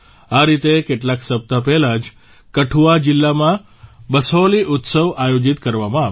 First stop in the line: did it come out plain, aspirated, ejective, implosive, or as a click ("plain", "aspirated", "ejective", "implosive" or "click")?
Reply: plain